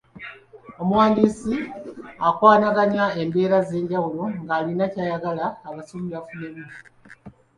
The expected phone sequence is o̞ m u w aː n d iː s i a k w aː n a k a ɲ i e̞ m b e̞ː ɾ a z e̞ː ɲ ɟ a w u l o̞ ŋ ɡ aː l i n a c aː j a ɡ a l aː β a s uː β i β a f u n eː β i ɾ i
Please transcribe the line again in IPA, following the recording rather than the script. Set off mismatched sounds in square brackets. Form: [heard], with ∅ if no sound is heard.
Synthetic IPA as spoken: o̞ m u w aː n d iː s i a k w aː n a [ɡ] a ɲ [a] e̞ m b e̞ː ɾ a z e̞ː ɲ ɟ a w u l o̞ ŋ ɡ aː l i n a c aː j a ɡ a l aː β a s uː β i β a f u n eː β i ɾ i